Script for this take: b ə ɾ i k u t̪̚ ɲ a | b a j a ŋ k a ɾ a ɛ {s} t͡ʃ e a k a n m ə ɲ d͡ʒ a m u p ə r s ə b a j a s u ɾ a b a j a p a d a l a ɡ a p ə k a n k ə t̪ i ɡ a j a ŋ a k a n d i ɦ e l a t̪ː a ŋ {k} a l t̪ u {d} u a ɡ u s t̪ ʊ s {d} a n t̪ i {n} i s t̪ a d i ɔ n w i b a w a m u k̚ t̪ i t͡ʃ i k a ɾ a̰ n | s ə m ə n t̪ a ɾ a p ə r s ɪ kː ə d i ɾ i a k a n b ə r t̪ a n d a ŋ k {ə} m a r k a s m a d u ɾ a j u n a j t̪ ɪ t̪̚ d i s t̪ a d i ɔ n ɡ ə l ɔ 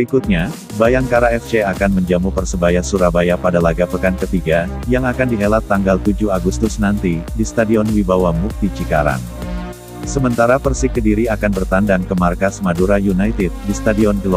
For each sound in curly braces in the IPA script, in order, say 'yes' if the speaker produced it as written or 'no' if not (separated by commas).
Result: no, no, no, no, no, yes